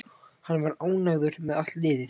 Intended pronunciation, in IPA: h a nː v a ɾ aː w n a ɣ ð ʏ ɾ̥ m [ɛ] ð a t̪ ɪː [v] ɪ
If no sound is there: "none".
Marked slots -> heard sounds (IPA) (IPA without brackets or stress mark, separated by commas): ɛ, ð